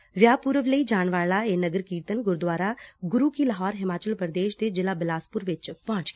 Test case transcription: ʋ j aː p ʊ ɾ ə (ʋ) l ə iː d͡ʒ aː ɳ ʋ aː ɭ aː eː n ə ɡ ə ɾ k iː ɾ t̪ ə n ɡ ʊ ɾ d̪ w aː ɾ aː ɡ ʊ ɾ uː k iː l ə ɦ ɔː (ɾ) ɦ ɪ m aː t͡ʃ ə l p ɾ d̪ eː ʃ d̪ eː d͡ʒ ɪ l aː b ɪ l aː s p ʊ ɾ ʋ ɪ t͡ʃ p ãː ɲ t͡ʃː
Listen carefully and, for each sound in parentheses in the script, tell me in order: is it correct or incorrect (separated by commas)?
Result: correct, correct